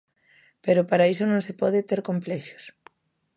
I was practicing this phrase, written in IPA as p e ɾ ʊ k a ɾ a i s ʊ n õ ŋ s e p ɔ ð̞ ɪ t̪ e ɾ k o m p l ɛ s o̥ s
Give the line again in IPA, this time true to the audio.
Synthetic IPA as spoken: p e ɾ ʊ p a ɾ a i s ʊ n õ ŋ s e p ɔ ð̞ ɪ t̪ e ɾ k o m p l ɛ ʃ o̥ s